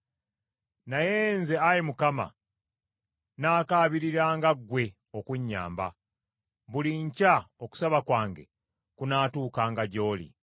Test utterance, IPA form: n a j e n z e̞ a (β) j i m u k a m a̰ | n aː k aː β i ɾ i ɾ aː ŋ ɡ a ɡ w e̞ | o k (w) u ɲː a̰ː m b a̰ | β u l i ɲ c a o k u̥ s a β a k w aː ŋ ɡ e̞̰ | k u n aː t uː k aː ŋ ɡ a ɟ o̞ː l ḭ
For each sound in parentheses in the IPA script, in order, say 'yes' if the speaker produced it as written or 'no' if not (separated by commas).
no, yes